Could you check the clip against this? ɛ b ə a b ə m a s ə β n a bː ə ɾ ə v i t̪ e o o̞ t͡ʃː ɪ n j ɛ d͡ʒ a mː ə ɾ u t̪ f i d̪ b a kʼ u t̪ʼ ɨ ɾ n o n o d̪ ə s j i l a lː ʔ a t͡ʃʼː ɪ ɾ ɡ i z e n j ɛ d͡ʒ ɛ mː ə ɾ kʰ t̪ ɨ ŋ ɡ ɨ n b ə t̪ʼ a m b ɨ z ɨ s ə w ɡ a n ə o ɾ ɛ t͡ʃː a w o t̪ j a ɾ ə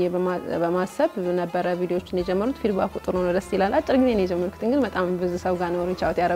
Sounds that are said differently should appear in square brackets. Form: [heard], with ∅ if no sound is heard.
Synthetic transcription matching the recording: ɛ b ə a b ə m a s ə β n [ə] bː ə ɾ ə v i [d̪] e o o̞ t͡ʃː ɪ n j ɛ d͡ʒ [ɛ] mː ə ɾ u t̪ f i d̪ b a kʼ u t̪ʼ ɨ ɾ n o n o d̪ ə s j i l a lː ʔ a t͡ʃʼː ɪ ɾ ɡ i z e n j ɛ d͡ʒ ɛ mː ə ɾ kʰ t̪ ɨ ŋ ɡ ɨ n b ə t̪ʼ a m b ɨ z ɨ s ə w ɡ a n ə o ɾ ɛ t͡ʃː a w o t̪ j a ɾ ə